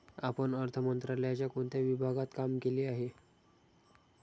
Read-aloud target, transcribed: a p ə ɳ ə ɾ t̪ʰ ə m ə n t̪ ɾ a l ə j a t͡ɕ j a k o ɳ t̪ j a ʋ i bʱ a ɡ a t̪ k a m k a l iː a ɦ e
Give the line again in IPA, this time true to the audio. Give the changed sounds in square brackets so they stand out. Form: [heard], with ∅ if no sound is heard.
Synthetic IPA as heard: a p ə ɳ ə ɾ t̪ʰ ə m ə n t̪ ɾ a l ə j a t͡ɕ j a k o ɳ t̪ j a ʋ i bʱ a ɡ a t̪ k a m k [e] l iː a ɦ e